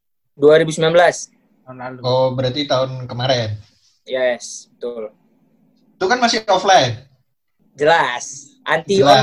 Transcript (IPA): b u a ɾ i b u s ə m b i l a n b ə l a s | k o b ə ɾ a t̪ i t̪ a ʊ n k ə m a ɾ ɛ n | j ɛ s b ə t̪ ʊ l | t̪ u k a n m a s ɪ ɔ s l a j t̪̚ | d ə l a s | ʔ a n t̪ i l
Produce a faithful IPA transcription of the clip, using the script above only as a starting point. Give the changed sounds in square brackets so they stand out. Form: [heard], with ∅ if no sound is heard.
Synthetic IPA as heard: [d] u a ɾ i b u s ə m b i l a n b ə l a s | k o b ə ɾ a t̪ i t̪ a ʊ n k ə m a ɾ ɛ n | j ɛ s b ə t̪ ʊ l | t̪ u k a n m a s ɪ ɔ [f] l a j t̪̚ | [d͡ʒ] ə l a s | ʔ a n t̪ i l